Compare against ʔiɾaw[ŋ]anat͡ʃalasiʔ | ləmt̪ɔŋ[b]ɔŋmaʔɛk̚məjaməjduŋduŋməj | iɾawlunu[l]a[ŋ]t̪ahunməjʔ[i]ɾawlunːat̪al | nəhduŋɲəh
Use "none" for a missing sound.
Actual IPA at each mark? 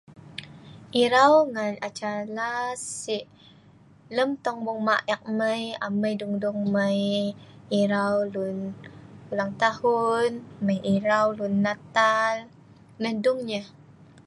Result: ŋ, b, l, ŋ, i

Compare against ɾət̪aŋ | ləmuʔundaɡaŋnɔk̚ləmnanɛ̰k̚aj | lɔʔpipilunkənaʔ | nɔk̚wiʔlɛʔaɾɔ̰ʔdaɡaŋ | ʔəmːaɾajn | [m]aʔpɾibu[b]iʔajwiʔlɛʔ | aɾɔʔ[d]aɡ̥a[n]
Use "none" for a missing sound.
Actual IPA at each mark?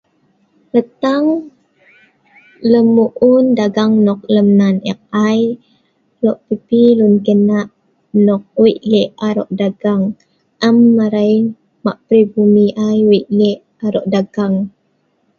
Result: m, m, d, ŋ

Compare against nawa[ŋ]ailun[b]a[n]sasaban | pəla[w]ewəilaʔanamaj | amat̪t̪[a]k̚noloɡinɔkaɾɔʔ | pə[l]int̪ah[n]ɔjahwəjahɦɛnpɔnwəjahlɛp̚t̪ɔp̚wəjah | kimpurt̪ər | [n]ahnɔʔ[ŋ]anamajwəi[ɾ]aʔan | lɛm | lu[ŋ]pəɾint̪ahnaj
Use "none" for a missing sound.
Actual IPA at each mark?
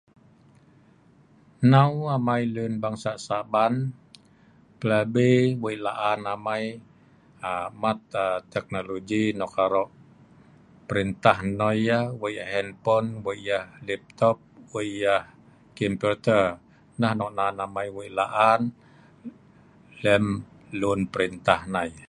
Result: m, b, ŋ, b, ɛ, ɾ, n, n, n, l, n

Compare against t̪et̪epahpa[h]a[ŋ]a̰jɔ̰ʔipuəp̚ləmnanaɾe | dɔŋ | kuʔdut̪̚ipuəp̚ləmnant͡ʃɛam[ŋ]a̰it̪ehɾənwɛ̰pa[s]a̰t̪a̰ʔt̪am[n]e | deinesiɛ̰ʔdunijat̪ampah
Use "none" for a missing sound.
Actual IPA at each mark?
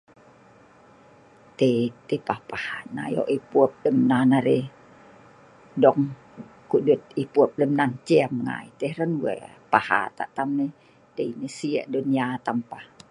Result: h, n, ŋ, h, n

